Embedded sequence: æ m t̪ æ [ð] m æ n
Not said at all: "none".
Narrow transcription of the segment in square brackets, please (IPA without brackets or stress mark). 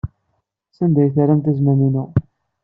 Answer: z